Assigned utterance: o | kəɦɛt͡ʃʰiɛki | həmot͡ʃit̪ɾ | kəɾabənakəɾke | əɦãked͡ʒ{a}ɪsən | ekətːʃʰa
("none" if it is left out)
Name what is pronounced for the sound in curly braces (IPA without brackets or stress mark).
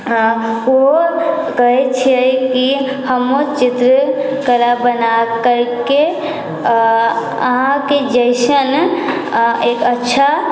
ə